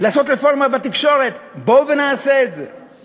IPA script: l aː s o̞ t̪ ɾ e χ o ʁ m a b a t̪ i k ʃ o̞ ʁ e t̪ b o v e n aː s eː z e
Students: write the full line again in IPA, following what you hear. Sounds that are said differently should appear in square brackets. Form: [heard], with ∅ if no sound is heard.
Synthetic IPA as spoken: l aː s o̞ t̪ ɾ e [f] o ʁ m a b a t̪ i k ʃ o̞ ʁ e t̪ b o v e n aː s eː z e